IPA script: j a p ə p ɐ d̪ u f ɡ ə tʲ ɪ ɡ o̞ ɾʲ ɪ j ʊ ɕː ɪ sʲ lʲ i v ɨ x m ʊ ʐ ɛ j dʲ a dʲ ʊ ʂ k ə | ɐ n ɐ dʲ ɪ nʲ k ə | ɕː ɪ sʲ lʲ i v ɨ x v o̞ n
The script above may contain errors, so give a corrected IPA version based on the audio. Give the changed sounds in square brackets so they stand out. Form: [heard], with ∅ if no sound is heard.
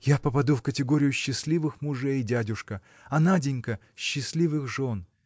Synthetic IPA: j a p ə p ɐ d̪ u f [k] ə tʲ ɪ ɡ o̞ ɾʲ ɪ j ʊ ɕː ɪ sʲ lʲ i v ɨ x m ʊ ʐ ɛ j dʲ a dʲ ʊ ʂ k ə | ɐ n [a] dʲ ɪ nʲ k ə | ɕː ɪ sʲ lʲ i v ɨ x [ʐ] o̞ n